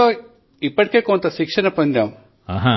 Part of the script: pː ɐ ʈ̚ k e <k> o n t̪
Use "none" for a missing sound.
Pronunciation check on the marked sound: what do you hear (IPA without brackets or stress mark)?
k